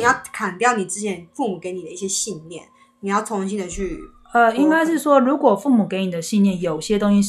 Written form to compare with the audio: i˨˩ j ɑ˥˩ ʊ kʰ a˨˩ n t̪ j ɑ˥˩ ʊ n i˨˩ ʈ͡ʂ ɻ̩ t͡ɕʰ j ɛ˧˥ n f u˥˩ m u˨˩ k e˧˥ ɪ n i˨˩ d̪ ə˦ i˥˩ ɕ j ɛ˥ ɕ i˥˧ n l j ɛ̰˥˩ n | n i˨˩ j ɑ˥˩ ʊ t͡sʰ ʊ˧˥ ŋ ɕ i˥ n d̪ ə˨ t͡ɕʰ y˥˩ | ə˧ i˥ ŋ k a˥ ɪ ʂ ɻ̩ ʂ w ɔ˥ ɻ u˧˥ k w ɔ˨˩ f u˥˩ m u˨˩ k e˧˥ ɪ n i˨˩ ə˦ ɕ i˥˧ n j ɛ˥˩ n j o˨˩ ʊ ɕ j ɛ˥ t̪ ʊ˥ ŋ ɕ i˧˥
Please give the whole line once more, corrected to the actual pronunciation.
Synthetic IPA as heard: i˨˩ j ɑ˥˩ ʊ kʰ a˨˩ n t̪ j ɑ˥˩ ʊ n i˨˩ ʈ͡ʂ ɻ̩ t͡ɕʰ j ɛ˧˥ n f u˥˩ m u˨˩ k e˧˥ ɪ n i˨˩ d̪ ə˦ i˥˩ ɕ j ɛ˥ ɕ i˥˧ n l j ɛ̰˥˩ n | n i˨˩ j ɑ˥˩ ʊ t͡sʰ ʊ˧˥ ŋ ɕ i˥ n d̪ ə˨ t͡ɕʰ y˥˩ | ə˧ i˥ ŋ k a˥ ɪ ʂ ɻ̩ ʂ w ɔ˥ ɻ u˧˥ k w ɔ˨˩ f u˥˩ m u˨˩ k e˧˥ ɪ n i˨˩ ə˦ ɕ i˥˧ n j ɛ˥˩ n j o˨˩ ʊ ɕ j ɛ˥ t̪ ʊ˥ ŋ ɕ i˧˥